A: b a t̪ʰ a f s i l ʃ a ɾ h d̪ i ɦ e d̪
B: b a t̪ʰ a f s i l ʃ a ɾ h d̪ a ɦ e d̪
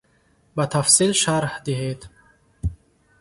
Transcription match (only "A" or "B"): A